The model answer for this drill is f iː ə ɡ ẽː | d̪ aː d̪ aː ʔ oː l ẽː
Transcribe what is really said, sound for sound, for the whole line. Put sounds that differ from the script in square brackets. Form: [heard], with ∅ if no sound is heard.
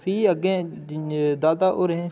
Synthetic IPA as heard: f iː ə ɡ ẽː | d̪ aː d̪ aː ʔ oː [ɾ] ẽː